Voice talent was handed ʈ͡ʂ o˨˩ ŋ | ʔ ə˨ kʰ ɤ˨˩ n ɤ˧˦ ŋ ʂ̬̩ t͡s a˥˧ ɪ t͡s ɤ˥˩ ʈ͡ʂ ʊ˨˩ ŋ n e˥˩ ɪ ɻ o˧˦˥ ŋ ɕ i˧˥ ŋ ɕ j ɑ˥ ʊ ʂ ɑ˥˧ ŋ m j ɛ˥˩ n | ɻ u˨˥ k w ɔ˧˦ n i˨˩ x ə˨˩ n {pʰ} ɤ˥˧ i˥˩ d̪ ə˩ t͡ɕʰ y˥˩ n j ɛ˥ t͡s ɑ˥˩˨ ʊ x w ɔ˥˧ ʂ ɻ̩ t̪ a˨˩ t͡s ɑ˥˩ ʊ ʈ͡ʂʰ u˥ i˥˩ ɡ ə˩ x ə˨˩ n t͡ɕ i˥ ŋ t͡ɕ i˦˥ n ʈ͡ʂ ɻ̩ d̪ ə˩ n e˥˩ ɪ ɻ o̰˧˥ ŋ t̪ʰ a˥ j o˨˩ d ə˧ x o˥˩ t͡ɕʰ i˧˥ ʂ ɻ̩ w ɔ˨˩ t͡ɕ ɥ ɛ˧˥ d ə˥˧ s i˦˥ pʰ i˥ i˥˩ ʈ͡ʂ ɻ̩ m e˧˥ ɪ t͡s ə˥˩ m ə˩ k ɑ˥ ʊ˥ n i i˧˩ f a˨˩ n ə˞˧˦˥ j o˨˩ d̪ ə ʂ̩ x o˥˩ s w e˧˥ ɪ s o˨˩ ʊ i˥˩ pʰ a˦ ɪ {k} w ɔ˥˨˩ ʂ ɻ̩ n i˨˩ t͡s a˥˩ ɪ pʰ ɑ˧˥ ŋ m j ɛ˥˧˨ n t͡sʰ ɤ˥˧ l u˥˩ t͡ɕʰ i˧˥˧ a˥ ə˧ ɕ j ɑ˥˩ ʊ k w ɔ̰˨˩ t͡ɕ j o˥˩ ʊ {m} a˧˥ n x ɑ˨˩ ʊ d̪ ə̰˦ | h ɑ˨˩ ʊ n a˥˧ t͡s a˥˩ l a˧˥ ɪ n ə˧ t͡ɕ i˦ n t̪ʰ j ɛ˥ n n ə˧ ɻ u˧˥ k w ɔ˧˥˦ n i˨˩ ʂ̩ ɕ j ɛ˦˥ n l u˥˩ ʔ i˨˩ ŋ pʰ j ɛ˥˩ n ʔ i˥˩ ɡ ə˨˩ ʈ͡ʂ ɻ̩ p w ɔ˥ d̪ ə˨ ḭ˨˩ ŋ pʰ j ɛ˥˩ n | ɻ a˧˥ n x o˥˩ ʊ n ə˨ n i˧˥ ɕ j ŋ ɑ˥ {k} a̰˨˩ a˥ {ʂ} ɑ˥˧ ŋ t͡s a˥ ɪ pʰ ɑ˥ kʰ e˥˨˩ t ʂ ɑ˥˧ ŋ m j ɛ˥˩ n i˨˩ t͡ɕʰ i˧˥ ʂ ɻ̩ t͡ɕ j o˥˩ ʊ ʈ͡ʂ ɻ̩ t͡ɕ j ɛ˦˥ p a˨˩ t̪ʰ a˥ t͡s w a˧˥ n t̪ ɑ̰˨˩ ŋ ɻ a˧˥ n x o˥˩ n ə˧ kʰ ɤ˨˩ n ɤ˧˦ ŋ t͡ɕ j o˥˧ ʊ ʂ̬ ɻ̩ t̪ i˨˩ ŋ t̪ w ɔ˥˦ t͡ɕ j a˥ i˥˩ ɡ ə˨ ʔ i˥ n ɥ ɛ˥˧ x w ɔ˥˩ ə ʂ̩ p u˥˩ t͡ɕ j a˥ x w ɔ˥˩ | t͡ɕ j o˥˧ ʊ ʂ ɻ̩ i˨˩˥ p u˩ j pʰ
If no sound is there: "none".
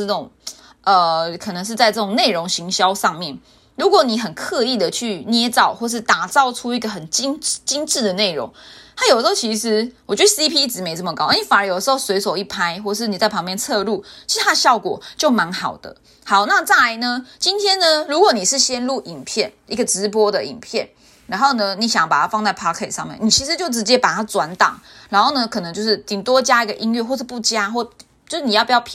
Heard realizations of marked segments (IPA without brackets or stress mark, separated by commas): kʰ, x, m, p, f